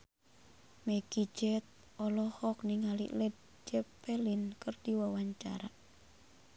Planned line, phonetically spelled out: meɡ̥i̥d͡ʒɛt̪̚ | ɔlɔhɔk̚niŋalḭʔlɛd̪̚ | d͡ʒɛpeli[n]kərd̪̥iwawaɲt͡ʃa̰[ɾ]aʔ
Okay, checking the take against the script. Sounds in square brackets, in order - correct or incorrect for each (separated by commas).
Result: correct, correct